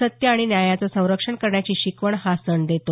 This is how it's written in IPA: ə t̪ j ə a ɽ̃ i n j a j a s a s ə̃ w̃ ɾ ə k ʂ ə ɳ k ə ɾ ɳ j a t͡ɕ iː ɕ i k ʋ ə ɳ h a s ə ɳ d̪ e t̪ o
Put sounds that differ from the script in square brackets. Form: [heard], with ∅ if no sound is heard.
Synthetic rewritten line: ə t̪ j ə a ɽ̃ i n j a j a [t͡s] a s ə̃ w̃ ɾ ə k ʂ ə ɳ k ə ɾ ɳ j a t͡ɕ iː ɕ i k ʋ ə ɳ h a s ə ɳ d̪ e t̪ o